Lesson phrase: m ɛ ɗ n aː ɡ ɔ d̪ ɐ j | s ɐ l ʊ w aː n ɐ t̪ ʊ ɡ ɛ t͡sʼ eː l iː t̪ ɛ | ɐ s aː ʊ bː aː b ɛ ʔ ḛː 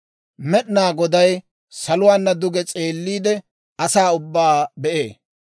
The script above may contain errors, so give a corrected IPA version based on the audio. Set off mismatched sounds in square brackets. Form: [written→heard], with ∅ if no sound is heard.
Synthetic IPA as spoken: m ɛ ɗ n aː ɡ ɔ d̪ ɐ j | s ɐ l ʊ w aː [n→nː] ɐ [t̪→d̪] ʊ ɡ ɛ t͡sʼ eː [l→lː] iː [t̪→d̪] ɛ | ɐ s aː ʊ bː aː b ɛ ʔ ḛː